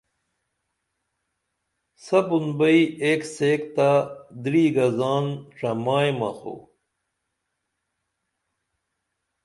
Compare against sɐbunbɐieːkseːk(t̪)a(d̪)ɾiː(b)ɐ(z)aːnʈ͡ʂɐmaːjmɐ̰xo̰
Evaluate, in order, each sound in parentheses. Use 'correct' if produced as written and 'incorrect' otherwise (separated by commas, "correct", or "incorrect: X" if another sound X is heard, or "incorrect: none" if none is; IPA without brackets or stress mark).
correct, correct, incorrect: ɡ, correct